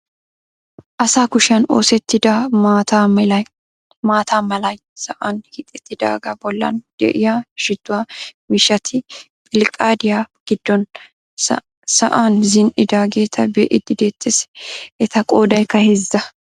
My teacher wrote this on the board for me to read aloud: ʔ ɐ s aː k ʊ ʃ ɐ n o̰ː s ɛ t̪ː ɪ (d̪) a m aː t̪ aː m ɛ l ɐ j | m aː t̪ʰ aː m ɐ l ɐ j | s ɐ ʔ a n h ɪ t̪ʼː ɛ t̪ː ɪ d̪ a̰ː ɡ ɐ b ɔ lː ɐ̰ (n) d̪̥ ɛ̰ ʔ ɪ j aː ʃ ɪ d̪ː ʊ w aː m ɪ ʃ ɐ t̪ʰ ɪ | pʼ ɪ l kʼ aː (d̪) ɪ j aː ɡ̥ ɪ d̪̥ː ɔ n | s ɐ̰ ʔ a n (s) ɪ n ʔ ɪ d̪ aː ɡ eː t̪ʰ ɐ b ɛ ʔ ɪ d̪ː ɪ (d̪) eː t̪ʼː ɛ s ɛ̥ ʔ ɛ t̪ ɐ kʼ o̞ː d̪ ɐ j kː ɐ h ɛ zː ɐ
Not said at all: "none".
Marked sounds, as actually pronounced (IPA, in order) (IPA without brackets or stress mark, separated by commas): d̪, n, d̪, z, d̪